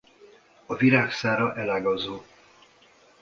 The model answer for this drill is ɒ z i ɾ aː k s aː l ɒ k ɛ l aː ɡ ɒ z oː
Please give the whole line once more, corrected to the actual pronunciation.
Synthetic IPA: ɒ v i ɾ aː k s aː ɾ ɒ ʔ ɛ l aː ɡ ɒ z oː